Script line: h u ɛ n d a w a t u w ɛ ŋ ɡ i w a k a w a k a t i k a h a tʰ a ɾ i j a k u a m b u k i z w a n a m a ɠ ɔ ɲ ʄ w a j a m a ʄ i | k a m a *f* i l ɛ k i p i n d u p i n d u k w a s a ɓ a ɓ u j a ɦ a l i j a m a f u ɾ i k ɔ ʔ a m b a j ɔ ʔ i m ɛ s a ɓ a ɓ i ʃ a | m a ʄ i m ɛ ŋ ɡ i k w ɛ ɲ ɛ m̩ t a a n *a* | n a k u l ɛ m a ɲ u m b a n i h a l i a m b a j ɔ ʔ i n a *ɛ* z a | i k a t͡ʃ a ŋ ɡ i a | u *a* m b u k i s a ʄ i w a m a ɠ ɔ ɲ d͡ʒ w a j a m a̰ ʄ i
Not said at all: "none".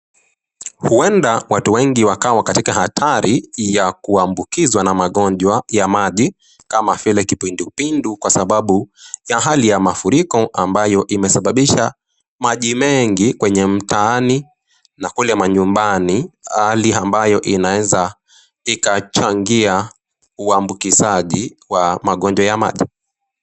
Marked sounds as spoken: f, i, ɛ, a

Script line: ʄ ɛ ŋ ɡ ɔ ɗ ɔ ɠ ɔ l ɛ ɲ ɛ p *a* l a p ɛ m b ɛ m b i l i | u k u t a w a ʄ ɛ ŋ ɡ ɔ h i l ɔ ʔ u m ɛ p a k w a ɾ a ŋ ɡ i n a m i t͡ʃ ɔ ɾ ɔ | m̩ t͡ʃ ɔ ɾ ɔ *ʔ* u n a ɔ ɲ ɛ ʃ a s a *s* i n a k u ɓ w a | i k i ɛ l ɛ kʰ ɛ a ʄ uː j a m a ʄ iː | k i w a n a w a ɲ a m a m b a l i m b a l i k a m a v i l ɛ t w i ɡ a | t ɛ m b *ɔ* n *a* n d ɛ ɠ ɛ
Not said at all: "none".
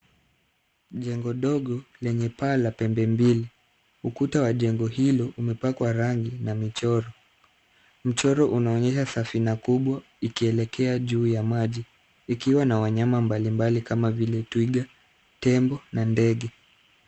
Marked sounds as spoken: a, ʔ, f, ɔ, a

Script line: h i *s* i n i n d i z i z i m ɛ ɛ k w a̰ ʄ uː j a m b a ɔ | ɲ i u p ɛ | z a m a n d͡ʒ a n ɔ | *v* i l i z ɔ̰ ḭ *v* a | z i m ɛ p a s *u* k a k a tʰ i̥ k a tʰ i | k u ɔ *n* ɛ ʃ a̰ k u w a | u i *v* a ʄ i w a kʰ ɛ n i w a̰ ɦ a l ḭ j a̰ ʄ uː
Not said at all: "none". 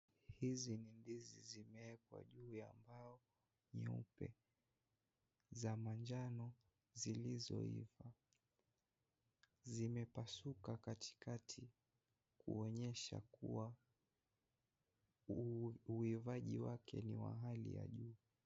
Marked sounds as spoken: z, z, v, u, ɲ, v

